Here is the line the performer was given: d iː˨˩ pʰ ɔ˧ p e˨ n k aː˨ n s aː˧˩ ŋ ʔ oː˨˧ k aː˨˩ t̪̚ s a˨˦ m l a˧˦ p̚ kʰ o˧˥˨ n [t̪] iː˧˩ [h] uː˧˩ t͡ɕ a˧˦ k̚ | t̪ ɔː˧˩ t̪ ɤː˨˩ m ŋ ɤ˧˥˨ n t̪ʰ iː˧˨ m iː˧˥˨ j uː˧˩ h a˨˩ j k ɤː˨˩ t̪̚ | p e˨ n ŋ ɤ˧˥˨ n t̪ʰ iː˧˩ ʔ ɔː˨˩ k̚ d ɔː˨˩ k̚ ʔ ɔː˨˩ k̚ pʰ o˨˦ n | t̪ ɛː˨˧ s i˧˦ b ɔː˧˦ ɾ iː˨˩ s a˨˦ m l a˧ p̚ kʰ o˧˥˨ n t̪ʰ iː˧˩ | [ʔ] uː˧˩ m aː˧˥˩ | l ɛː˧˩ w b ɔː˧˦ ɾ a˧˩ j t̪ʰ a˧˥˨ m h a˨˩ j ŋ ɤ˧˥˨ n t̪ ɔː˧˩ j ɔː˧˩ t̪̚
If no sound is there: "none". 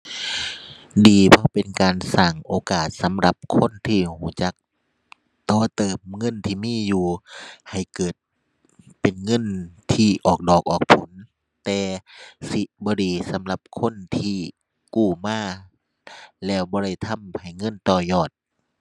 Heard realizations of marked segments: t̪ʰ, h, k

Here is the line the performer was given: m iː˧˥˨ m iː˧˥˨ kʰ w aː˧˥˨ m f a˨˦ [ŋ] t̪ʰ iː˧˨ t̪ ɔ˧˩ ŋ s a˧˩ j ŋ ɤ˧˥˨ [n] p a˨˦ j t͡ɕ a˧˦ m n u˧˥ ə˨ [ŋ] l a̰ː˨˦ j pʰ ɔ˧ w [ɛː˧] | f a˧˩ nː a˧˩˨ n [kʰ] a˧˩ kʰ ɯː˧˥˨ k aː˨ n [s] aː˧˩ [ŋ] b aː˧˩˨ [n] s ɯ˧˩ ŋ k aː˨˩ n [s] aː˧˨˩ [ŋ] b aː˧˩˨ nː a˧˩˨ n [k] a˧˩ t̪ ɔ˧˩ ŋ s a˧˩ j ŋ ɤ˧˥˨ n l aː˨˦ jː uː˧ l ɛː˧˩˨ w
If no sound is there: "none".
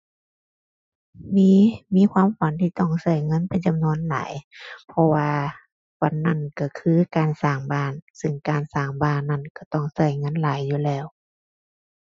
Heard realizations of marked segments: n, n, n, aː˧, k, s, ŋ, n, s, ŋ, k

